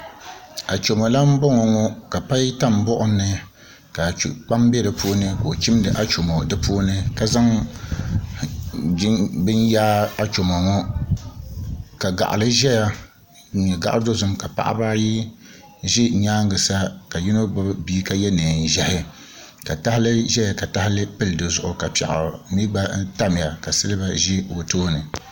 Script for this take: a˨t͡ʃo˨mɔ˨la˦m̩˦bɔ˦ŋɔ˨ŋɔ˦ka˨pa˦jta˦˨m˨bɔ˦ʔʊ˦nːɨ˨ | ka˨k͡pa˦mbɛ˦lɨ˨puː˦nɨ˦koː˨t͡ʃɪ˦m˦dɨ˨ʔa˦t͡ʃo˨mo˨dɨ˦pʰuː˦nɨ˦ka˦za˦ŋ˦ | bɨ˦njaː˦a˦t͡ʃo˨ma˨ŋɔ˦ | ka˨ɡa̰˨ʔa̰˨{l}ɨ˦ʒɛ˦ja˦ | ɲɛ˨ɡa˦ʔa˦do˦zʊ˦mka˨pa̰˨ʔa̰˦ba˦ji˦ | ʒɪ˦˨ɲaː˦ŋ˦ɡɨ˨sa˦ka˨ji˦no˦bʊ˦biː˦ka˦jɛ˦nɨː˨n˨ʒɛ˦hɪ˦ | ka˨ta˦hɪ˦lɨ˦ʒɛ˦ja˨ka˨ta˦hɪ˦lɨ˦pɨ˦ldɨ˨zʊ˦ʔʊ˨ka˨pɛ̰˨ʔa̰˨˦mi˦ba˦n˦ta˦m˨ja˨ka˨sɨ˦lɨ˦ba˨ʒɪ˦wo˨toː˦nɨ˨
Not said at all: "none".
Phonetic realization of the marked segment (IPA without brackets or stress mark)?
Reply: l